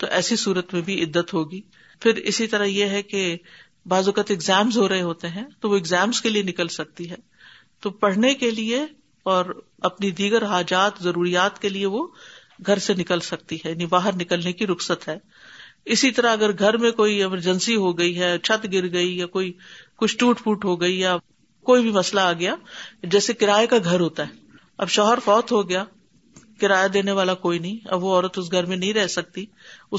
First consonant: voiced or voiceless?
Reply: voiceless